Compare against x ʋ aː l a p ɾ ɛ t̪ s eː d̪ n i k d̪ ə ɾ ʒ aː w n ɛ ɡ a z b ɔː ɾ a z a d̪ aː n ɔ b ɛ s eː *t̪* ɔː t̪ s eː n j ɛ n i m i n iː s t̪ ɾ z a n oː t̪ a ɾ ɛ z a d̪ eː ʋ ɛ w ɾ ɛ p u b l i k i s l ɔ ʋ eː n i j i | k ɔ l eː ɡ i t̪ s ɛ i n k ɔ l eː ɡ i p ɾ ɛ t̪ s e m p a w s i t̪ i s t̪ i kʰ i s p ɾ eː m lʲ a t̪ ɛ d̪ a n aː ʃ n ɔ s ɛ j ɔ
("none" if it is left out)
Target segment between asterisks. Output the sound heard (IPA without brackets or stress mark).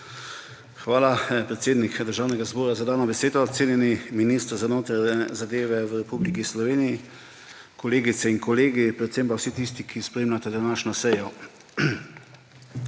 d̪